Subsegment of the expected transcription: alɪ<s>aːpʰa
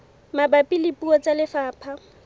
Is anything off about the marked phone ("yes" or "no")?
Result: yes